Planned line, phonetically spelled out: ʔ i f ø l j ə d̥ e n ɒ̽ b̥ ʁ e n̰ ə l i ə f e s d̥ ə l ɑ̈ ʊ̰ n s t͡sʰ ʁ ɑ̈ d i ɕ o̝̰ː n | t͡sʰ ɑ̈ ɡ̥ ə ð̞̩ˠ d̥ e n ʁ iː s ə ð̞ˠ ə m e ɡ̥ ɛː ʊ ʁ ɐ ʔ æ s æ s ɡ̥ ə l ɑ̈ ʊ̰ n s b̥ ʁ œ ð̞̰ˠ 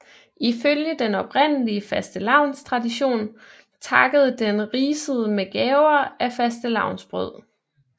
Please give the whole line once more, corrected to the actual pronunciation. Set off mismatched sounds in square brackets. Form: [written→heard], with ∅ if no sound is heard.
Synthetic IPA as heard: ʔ i f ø l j ə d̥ e n ɒ̽ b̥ ʁ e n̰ ə l i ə f [e→æ] s d̥ ə l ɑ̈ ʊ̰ n s t͡sʰ ʁ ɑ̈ d i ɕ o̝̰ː n | t͡sʰ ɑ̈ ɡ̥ ə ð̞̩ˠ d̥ e n ʁ iː s ə ð̞ˠ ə m e ɡ̥ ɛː ʊ [ʁ→∅] ɐ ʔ æ [s→f] æ s [ɡ̥→d̥] ə l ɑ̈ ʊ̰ n s b̥ ʁ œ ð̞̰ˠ